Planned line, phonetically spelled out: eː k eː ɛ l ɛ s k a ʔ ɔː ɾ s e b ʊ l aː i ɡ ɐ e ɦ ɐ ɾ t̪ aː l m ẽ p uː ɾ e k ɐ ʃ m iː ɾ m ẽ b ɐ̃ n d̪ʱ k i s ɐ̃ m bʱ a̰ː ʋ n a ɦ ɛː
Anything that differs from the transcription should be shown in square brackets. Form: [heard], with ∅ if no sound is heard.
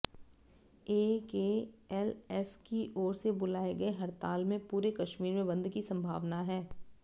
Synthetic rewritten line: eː k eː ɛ l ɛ [f] k [i] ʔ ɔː ɾ s e b ʊ l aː [e] ɡ ɐ e ɦ ɐ ɾ t̪ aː l m ẽ p uː ɾ e k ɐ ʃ m iː ɾ m ẽ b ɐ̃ n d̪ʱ k i s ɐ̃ m bʱ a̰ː ʋ n a ɦ ɛː

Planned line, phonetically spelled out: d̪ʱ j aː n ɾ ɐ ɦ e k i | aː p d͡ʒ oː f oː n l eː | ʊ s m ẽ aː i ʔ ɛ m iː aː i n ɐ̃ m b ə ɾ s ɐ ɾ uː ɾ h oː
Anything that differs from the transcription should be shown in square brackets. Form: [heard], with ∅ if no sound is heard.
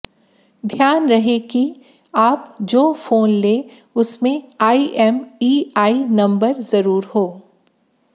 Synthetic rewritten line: d̪ʱ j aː n ɾ ɐ ɦ e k i | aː p d͡ʒ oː f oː n l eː | ʊ s m ẽ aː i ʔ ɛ m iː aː i n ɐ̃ m b ə ɾ [z] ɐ ɾ uː ɾ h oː

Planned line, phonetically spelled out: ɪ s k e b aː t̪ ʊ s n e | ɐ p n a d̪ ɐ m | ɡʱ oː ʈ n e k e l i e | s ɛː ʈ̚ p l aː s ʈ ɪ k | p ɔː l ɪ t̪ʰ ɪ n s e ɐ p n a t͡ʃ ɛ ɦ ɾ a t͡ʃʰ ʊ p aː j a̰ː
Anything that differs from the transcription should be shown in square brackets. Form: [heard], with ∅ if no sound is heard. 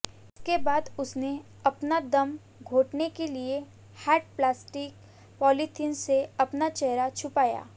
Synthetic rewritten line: ɪ s k e b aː [d̪] ʊ s n e | ɐ p n a d̪ ɐ m | ɡʱ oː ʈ n e k e l i e | [h] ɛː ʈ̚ p l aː s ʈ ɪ k | p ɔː l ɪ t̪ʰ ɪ n s e ɐ p n a t͡ʃ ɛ ɦ ɾ a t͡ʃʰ ʊ p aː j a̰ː

